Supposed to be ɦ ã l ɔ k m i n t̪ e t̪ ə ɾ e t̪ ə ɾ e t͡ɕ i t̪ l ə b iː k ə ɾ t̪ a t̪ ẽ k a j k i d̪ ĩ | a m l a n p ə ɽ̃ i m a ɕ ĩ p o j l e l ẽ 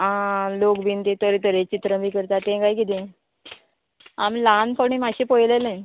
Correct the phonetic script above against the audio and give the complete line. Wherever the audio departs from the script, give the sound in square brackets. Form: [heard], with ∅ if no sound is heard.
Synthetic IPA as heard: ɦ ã l [o] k [b] i n t̪ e t̪ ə ɾ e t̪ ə ɾ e t͡ɕ i t̪ [ɾ] ə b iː k ə ɾ t̪ a t̪ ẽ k a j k i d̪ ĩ | a m l a n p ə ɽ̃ i m a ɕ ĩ p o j l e l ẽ